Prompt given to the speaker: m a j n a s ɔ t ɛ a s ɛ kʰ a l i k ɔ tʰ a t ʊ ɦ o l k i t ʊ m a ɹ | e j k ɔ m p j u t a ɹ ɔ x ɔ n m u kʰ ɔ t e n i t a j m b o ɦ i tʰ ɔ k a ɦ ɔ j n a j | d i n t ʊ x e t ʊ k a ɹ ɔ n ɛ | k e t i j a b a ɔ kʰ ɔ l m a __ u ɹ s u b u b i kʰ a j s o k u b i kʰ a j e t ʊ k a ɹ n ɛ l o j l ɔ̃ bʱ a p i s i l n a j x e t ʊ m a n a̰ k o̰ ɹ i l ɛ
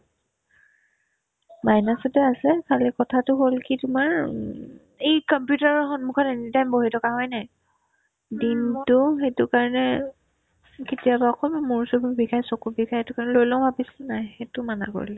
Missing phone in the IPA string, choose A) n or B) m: B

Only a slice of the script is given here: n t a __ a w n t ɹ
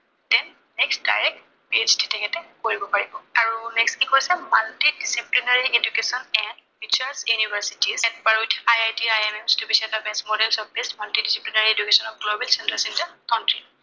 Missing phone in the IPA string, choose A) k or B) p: A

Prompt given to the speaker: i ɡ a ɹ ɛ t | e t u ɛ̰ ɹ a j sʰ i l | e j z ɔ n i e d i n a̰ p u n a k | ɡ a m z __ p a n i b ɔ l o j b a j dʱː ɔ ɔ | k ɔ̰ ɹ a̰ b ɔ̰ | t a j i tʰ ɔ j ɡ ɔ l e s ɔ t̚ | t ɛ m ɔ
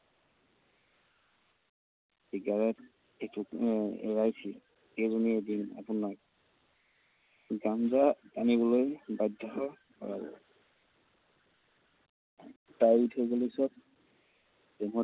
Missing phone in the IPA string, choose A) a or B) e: A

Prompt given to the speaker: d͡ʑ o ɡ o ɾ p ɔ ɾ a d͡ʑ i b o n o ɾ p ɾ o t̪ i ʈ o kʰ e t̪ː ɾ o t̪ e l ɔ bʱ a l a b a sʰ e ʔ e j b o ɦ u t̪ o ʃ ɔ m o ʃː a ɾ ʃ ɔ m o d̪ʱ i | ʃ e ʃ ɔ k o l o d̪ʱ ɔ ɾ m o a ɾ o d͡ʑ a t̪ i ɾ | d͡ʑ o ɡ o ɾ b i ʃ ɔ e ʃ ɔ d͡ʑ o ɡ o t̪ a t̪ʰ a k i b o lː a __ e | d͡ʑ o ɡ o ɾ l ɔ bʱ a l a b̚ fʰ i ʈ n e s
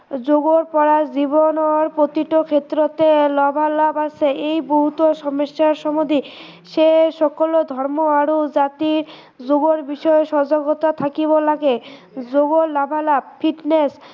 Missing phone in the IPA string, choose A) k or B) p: A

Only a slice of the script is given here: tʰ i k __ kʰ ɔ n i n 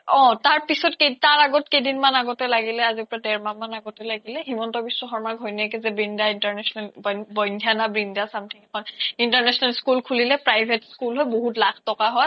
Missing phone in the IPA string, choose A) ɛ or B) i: A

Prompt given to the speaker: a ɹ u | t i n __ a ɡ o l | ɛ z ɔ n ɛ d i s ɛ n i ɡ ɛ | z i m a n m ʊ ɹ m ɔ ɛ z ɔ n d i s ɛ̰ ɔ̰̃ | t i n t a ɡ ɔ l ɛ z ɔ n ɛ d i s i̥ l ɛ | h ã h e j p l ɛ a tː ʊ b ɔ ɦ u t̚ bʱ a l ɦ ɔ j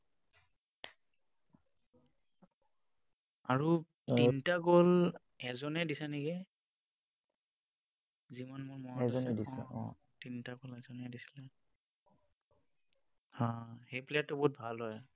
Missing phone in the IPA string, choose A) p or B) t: B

